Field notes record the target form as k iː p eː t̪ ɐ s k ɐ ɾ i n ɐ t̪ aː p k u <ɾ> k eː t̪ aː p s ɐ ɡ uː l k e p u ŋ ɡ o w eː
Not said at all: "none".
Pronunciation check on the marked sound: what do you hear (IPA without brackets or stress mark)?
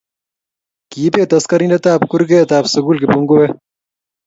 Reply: ɾ